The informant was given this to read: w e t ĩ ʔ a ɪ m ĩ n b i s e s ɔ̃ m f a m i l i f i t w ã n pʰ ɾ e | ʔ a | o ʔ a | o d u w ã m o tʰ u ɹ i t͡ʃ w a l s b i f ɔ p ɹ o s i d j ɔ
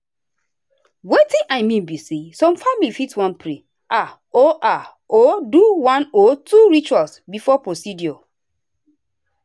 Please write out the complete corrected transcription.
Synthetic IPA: w e t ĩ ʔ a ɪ m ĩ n b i s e s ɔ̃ m f a m i l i f i t w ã n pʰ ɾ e | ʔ a | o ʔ a | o d u w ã n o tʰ u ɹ i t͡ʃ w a l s b i f ɔ p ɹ o s i d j ɔ